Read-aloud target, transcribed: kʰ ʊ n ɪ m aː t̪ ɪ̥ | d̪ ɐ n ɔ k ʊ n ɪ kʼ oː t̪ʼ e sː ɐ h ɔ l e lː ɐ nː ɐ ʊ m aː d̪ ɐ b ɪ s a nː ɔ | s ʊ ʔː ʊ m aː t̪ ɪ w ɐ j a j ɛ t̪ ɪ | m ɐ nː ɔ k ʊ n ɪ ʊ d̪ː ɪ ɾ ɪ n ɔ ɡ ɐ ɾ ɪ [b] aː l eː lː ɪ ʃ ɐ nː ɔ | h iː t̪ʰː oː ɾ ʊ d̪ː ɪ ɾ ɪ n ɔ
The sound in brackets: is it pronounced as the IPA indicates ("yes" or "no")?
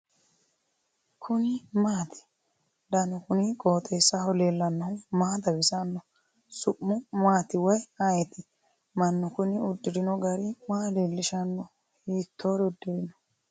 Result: no